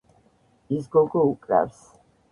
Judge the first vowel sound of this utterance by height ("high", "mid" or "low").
high